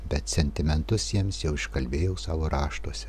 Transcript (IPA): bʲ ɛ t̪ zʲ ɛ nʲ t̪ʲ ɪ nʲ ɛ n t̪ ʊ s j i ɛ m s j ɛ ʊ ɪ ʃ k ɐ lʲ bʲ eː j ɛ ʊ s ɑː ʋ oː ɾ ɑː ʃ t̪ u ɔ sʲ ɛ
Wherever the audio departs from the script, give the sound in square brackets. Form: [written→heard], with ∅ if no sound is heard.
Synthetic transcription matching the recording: bʲ ɛ t̪ [zʲ→sʲ] ɛ nʲ t̪ʲ ɪ [nʲ→mʲ] ɛ n t̪ ʊ s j i ɛ m s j ɛ ʊ ɪ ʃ k ɐ lʲ bʲ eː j ɛ ʊ s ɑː ʋ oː ɾ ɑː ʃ t̪ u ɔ sʲ ɛ

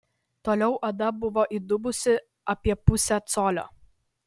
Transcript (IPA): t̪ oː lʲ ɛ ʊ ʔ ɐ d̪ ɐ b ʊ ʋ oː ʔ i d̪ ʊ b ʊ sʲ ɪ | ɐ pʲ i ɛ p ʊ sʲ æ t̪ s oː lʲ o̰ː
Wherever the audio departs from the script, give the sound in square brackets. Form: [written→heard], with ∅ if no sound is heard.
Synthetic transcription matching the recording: t̪ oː lʲ ɛ ʊ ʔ ɐ d̪ ɐ b ʊ ʋ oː ʔ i d̪ ʊ b ʊ sʲ ɪ | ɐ pʲ i ɛ p ʊ sʲ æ t̪ s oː lʲ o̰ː

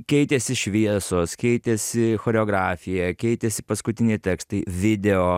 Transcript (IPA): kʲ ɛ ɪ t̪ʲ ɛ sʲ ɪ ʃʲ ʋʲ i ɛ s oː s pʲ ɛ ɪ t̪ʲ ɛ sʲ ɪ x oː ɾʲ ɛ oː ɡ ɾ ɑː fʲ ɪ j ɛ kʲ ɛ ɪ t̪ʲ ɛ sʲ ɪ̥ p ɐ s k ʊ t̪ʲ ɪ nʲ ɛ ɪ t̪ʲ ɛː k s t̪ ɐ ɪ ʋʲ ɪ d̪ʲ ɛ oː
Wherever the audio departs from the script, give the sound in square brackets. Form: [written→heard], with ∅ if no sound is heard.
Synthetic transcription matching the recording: kʲ ɛ ɪ t̪ʲ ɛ sʲ ɪ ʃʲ ʋʲ i ɛ s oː s [pʲ→kʲ] ɛ ɪ t̪ʲ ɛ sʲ ɪ x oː ɾʲ ɛ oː ɡ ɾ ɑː fʲ ɪ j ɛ kʲ ɛ ɪ t̪ʲ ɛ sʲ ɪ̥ p ɐ s k ʊ t̪ʲ ɪ nʲ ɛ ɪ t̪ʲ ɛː k s t̪ ɐ ɪ ʋʲ ɪ d̪ʲ ɛ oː

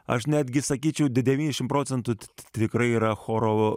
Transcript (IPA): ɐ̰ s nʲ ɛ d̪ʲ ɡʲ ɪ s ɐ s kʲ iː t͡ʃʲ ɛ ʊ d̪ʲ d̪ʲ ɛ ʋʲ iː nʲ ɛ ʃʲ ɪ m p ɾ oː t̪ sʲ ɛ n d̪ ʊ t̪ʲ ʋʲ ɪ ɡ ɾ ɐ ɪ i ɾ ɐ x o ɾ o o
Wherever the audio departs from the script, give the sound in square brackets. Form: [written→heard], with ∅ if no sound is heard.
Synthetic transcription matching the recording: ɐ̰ [s→ʃ] nʲ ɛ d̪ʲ ɡʲ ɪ s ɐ [s→∅] kʲ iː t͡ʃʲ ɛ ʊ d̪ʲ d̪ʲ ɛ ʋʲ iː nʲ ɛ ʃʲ ɪ m p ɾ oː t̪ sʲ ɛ n [d̪→t̪] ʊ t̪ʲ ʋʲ ɪ [ɡ→k] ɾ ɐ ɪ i ɾ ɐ x o ɾ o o

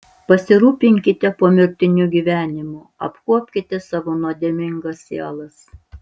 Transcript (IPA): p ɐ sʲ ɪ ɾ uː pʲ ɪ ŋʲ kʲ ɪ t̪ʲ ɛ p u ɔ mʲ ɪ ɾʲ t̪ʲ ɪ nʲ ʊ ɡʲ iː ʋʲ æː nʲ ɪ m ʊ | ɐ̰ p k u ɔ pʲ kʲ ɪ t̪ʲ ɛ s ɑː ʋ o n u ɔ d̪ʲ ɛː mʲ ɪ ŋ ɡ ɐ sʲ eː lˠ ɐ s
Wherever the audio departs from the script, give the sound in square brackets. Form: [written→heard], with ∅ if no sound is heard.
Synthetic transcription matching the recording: p ɐ sʲ ɪ ɾ uː pʲ ɪ ŋʲ kʲ ɪ t̪ʲ ɛ p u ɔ mʲ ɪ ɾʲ t̪ʲ ɪ nʲ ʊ ɡʲ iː ʋʲ æː nʲ ɪ m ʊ | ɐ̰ p k u ɔ pʲ kʲ ɪ t̪ʲ ɛ s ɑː ʋ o n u ɔ d̪ʲ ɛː mʲ ɪ ŋ ɡ ɐ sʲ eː lˠ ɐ s

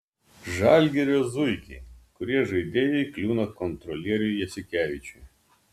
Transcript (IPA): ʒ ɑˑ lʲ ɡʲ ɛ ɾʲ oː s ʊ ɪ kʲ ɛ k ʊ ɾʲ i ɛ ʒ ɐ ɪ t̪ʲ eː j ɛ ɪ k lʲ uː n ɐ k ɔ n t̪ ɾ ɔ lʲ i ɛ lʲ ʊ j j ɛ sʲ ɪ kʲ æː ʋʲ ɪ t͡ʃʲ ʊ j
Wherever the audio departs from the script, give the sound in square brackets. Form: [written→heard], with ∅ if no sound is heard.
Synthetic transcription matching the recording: ʒ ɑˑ lʲ ɡʲ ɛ ɾʲ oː [s→z] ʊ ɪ kʲ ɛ k ʊ ɾʲ i ɛ ʒ ɐ ɪ [t̪ʲ→d̪ʲ] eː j ɛ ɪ k lʲ uː n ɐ k ɔ n t̪ ɾ ɔ lʲ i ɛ [lʲ→ɾʲ] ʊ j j ɛ sʲ ɪ kʲ æː ʋʲ ɪ t͡ʃʲ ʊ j

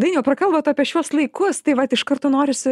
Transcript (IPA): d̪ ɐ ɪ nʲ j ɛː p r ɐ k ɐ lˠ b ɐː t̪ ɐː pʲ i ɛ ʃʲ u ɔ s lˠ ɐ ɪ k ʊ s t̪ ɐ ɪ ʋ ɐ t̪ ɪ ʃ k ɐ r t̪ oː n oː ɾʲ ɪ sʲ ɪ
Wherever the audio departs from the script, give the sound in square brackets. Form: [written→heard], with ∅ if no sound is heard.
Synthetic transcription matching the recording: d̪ ɐ ɪ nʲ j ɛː p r ɐ k ɐ lˠ b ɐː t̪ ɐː pʲ i ɛ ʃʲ u ɔ s lˠ ɐ ɪ k ʊ s t̪ ɐ ɪ ʋ ɐ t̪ ɪ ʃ k ɐ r t̪ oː n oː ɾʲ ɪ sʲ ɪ

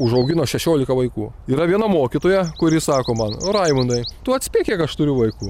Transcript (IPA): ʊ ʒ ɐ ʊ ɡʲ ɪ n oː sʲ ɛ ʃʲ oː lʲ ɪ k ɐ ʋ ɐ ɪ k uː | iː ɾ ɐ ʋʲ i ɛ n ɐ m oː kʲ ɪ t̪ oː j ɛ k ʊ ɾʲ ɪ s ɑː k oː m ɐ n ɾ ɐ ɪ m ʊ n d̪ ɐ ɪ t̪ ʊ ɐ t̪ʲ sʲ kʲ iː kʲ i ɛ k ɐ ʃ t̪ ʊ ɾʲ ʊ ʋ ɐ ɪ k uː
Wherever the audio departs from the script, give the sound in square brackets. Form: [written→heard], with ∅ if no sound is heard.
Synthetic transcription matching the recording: ʊ ʒ ɐ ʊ ɡʲ ɪ n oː [sʲ→ʃʲ] ɛ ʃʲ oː lʲ ɪ k ɐ ʋ ɐ ɪ k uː | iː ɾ ɐ ʋʲ i ɛ n ɐ m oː kʲ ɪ t̪ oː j ɛ k ʊ ɾʲ ɪ s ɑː k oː m ɐ n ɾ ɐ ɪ m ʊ n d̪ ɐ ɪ t̪ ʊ ɐ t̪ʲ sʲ [kʲ→pʲ] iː kʲ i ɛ k ɐ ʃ t̪ ʊ ɾʲ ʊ ʋ ɐ ɪ k uː

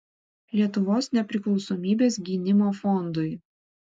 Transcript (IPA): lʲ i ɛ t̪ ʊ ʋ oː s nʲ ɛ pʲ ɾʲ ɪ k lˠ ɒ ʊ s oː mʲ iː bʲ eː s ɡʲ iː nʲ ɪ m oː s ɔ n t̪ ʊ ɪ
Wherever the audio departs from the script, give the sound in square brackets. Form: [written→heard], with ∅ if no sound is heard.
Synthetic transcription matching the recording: lʲ i ɛ t̪ ʊ ʋ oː s nʲ ɛ pʲ ɾʲ ɪ k lˠ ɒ ʊ s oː mʲ iː bʲ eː s ɡʲ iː nʲ ɪ m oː [s→f] ɔ n [t̪→d̪] ʊ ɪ

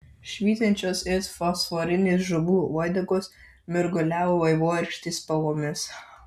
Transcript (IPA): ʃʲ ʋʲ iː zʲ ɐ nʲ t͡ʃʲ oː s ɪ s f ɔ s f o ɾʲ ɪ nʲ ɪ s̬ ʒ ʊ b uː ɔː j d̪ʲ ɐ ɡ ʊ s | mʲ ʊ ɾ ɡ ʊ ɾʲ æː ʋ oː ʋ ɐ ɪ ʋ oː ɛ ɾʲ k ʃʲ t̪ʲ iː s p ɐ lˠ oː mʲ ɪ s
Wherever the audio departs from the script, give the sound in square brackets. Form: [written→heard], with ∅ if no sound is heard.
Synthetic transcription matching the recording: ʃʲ ʋʲ iː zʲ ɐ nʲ t͡ʃʲ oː s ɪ s f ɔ s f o ɾʲ ɪ nʲ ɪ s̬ ʒ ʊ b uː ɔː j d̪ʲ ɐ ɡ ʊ s | mʲ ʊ ɾ ɡ ʊ [ɾʲ→lʲ] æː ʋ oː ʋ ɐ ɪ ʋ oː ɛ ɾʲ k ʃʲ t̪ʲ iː s p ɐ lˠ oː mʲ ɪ s

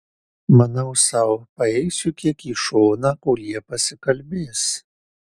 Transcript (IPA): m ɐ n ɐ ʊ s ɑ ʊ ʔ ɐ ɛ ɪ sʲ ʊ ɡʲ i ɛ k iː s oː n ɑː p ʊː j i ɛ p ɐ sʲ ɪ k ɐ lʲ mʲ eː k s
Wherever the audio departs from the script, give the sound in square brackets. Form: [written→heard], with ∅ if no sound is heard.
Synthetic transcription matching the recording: m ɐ n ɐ ʊ s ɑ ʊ [ʔ→p] ɐ ɛ ɪ sʲ ʊ [ɡʲ→kʲ] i ɛ k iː [s→ʃ] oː n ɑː [p→k] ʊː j i ɛ p ɐ sʲ ɪ k ɐ lʲ [mʲ→bʲ] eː [k→∅] s

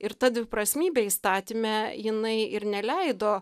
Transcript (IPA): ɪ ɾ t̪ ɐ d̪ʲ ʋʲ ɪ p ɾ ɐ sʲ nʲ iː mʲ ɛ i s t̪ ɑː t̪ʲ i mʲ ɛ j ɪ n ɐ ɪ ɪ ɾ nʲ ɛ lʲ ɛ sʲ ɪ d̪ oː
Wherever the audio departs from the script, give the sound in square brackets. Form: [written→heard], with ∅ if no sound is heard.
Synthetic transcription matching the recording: ɪ ɾ t̪ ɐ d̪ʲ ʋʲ ɪ p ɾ ɐ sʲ [nʲ→mʲ] iː [mʲ→bʲ] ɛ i s t̪ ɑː t̪ʲ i mʲ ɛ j ɪ n ɐ ɪ ɪ ɾ nʲ ɛ lʲ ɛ [sʲ→∅] ɪ d̪ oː

